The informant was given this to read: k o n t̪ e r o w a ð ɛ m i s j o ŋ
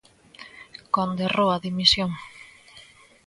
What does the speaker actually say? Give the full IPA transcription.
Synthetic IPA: k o n d̪ e r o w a ð i m i s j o ŋ